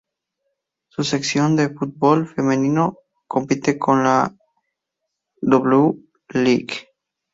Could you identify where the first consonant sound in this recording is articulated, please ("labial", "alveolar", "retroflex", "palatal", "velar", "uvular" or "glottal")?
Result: alveolar